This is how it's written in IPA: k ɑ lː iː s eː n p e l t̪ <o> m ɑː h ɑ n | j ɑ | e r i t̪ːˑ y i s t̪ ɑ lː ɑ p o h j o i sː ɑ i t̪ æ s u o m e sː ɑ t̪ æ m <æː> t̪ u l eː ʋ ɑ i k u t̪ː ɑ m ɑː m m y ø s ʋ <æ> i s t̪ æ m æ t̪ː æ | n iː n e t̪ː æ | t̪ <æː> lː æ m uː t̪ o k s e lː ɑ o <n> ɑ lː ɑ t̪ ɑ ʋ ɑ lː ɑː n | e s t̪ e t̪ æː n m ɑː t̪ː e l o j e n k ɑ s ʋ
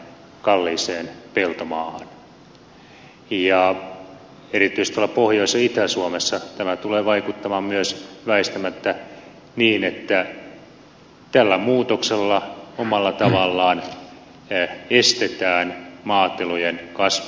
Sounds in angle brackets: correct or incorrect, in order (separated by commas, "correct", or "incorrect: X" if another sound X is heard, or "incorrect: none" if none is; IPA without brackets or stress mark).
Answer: correct, incorrect: æ, correct, incorrect: æ, incorrect: m